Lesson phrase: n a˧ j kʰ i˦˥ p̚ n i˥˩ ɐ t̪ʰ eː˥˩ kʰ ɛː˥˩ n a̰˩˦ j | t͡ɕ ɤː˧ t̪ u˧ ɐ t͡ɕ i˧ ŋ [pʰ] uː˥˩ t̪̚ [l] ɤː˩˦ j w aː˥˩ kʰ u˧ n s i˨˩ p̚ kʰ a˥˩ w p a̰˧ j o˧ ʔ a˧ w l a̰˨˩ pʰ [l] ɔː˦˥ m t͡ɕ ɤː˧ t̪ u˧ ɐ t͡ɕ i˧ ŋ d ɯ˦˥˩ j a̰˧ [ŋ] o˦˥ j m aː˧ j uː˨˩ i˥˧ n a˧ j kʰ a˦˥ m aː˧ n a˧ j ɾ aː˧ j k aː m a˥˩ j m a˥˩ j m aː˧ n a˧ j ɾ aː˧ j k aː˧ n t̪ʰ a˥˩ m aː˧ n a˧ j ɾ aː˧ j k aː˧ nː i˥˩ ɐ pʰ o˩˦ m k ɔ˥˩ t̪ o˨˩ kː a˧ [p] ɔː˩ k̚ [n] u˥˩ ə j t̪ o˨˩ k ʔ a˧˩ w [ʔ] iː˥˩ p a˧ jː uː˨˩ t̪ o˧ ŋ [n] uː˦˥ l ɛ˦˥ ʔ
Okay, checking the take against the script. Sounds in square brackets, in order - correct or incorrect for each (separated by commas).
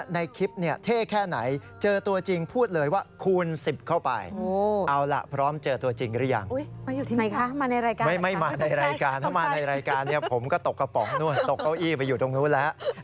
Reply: correct, correct, incorrect, correct, correct, correct, correct, correct